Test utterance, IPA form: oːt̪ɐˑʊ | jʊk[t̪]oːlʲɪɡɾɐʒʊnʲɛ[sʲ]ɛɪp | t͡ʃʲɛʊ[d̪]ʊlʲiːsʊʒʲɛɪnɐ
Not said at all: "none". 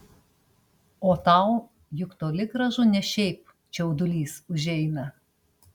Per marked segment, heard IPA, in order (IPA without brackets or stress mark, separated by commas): t̪, ʃʲ, d̪